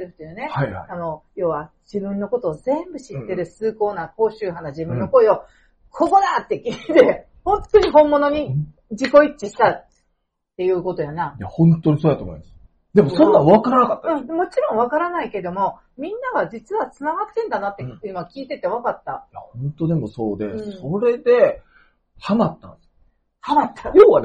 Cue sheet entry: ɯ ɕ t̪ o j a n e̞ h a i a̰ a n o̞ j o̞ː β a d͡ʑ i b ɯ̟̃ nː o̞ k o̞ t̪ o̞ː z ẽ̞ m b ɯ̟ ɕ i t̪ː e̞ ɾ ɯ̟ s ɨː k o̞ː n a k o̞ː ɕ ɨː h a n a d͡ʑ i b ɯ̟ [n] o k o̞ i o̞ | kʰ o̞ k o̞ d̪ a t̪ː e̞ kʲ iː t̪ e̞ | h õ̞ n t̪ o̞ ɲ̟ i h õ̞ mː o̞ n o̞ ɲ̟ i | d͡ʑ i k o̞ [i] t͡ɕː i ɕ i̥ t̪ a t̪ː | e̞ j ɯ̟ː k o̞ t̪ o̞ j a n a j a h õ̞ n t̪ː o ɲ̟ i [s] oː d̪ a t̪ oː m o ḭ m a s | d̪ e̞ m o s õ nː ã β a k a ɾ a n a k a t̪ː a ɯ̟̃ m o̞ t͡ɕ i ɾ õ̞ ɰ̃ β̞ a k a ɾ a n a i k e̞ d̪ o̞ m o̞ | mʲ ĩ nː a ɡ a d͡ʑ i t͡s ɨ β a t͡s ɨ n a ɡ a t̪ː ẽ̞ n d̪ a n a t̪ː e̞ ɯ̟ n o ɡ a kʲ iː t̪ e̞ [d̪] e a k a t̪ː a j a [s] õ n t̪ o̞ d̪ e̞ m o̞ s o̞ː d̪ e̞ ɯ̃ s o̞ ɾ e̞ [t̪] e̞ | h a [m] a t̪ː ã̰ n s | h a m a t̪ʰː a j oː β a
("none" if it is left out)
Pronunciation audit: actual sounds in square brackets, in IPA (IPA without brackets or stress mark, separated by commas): nː, i, s, t̪, h, d̪, m